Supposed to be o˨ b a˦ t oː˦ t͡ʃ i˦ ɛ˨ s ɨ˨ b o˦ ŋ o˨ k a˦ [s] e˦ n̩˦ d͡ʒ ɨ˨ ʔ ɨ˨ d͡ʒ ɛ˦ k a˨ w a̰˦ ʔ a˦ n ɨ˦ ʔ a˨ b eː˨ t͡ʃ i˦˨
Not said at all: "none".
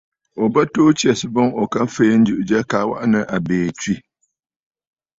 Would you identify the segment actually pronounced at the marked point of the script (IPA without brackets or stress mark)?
f